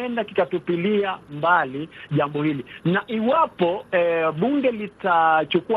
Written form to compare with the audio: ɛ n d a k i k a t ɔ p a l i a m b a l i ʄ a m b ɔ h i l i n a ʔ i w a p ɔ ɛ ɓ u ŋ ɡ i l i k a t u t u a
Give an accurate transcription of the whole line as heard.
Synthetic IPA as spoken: ɛ n d a k i k a t u p i l i a m b a l i ʄ a m b ɔ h i l i n a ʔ i w a p ɔ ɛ ɓ u ŋ ɡ ɛ l i t a t͡ʃ u k u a